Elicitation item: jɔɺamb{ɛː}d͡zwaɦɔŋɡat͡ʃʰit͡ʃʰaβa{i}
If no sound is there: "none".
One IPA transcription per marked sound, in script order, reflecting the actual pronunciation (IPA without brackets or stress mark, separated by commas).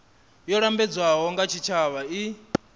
ɛ, i